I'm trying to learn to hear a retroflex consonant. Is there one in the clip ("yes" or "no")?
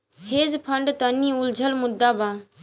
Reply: yes